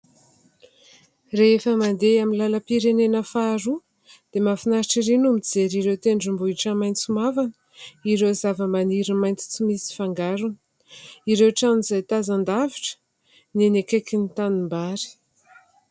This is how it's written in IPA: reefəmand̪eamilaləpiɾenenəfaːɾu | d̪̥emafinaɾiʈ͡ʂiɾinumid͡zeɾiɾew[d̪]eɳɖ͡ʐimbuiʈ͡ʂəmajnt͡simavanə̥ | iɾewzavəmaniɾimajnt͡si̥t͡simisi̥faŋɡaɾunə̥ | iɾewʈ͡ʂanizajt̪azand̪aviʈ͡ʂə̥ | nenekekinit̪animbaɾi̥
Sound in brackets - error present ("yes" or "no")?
yes